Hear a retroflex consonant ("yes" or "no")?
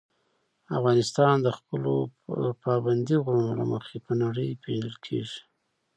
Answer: yes